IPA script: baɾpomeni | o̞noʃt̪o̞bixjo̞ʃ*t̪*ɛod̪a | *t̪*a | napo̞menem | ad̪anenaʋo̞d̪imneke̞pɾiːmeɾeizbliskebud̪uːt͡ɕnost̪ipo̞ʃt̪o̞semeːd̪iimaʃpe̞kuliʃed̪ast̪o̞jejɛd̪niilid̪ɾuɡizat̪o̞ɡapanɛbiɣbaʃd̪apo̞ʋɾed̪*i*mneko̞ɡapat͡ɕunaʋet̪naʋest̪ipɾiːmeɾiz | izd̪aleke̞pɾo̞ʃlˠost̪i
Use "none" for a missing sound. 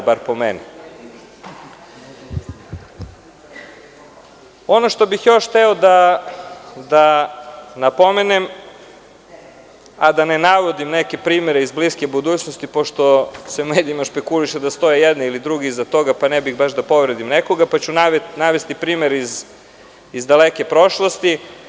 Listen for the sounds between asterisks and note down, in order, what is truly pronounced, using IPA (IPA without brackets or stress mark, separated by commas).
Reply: t̪, d̪, i